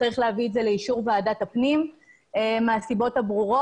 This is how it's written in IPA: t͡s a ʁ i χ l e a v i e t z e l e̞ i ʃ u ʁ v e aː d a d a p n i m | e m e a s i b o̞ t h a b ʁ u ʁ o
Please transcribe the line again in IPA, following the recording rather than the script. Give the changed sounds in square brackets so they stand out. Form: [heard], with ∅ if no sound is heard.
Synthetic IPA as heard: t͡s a ʁ i χ l e a v i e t z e l e̞ i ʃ u ʁ v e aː d a [t] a p n i m | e m e a s i b o̞ t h a b ʁ u ʁ o